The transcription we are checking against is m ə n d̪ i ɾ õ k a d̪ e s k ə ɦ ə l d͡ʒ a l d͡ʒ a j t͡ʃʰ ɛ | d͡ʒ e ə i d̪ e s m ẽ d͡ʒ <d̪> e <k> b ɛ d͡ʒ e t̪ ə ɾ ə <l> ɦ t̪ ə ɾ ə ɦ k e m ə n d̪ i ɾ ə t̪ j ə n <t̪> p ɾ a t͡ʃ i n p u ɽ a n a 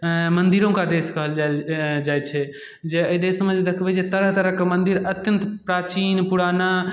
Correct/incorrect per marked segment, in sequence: correct, incorrect: kʰ, incorrect: none, correct

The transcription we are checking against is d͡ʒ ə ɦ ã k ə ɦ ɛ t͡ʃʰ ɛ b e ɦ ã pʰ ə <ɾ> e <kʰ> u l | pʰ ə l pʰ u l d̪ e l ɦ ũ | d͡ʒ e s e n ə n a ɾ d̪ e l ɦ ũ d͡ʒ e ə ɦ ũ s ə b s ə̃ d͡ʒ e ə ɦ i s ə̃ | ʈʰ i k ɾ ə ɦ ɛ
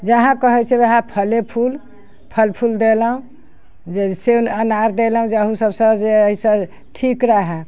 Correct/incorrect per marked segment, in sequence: incorrect: l, incorrect: pʰ

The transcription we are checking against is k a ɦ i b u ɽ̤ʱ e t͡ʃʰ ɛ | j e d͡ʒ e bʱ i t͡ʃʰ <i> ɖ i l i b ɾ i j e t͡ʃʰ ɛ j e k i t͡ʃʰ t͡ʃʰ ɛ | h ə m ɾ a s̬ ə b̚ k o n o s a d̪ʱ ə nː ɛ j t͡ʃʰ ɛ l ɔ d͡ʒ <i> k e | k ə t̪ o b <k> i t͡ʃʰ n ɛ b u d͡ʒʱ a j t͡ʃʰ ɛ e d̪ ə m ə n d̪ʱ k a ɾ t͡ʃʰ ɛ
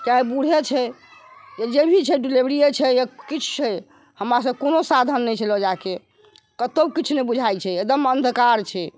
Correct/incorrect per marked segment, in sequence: incorrect: ɛ, incorrect: a, correct

